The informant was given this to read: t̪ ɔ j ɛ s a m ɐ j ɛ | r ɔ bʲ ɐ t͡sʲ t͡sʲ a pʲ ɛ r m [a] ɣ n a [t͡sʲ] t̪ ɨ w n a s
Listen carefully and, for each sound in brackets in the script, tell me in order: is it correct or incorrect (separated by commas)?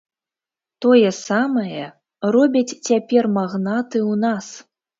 correct, incorrect